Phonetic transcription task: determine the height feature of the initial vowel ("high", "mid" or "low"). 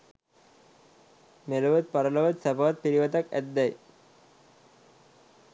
mid